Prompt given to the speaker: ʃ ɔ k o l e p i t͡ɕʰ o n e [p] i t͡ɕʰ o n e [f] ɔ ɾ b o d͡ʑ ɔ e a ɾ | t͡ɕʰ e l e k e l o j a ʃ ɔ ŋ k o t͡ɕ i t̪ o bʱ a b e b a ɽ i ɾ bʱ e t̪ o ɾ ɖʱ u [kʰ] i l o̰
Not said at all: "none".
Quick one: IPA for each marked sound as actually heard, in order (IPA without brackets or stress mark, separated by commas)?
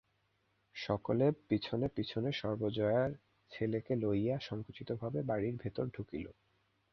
p, ʃ, k